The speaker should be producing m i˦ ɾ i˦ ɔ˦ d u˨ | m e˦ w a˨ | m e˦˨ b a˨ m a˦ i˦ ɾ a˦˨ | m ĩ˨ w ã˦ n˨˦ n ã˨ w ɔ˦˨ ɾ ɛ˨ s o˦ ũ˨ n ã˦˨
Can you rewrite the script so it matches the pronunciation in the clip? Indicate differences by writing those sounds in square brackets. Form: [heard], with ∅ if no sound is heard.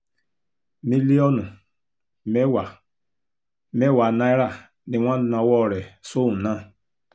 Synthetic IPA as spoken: m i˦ [l] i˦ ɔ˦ [n] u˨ | m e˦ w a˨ | m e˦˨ [w] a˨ [n] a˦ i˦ ɾ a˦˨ | [n] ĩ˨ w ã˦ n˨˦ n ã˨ w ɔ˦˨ ɾ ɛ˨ s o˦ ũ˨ n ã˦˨